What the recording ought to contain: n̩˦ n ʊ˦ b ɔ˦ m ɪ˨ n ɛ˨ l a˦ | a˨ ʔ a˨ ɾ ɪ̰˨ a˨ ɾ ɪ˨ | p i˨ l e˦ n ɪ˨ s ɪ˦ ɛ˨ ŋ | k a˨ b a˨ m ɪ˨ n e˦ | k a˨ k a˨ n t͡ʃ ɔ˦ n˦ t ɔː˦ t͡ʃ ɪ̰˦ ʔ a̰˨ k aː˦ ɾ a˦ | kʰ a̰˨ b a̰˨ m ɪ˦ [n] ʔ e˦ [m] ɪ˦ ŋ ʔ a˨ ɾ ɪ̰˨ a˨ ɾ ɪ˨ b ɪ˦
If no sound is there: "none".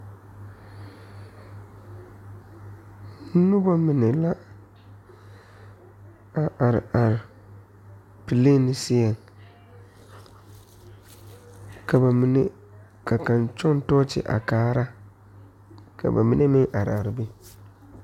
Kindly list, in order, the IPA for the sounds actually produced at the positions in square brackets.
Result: n, m

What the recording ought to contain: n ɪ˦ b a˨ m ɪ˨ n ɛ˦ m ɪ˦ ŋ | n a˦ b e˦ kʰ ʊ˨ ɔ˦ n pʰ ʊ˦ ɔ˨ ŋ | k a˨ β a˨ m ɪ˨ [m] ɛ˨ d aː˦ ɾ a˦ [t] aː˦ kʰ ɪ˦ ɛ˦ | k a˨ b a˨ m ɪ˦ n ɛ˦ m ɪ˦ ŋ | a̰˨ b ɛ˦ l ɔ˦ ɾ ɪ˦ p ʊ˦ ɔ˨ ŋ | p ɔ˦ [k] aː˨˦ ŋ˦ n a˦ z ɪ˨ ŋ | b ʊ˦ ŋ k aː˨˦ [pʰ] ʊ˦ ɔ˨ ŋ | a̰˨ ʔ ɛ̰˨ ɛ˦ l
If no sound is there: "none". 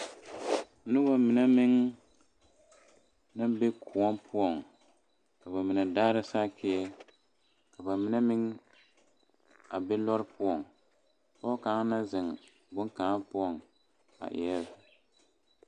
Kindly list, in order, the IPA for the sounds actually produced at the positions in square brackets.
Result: n, s, k, p

